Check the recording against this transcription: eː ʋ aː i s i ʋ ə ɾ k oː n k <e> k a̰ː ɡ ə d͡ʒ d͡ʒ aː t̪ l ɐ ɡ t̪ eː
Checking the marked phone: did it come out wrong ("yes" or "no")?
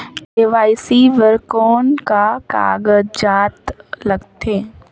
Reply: yes